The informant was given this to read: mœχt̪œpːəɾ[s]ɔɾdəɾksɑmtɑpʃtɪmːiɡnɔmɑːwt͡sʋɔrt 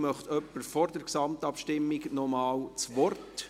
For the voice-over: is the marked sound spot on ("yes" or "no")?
no